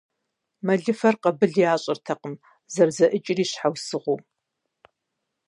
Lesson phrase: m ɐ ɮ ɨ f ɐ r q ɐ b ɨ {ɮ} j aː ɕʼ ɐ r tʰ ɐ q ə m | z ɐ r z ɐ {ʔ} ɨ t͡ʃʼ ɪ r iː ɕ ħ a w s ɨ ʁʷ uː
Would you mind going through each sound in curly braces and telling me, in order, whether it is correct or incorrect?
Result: correct, correct

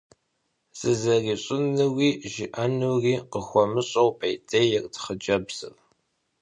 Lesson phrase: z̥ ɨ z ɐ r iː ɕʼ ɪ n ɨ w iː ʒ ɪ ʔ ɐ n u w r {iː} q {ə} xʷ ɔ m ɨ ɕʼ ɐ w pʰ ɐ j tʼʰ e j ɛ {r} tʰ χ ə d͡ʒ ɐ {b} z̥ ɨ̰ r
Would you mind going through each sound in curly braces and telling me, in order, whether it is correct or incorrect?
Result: correct, correct, correct, correct

